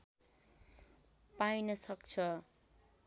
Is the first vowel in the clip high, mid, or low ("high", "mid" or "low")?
low